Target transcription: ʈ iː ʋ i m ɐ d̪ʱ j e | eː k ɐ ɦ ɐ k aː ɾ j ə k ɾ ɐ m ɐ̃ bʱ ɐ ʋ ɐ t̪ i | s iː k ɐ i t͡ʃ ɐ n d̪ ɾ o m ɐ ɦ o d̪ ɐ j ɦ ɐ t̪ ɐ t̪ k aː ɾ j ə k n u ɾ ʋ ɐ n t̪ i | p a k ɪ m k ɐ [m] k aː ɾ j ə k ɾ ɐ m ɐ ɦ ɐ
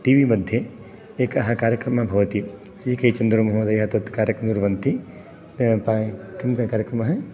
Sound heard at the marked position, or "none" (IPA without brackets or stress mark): none